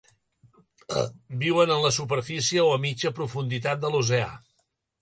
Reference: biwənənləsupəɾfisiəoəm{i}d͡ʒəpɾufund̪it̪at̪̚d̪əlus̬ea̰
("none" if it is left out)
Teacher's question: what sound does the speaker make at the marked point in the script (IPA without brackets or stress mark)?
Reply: i